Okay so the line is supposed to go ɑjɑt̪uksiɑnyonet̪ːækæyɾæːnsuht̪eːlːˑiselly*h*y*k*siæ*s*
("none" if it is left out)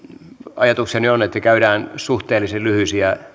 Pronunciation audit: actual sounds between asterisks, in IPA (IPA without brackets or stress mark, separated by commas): h, none, none